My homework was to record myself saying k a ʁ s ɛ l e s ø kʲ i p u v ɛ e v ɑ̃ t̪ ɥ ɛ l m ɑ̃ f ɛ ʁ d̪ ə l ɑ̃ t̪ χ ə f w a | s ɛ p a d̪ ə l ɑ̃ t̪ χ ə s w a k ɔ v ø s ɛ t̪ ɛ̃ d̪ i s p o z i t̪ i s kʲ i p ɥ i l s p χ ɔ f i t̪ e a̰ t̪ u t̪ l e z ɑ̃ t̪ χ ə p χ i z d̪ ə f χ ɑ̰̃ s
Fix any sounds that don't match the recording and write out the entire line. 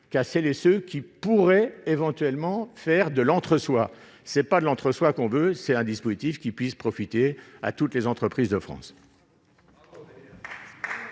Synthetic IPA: k a ʁ s ɛ l e s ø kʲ i p u ʁ ɛ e v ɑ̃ t̪ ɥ ɛ l m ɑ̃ f ɛ ʁ d̪ ə l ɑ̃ t̪ χ ə s w a | s ɛ p a d̪ ə l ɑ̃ t̪ χ ə s w a k ɔ̃ v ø s ɛ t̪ ɛ̃ d̪ i s p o z i t̪ i f kʲ i p ɥ i s p χ ɔ f i t̪ e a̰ t̪ u t̪ l e z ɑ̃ t̪ χ ə p χ i z d̪ ə f χ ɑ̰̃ s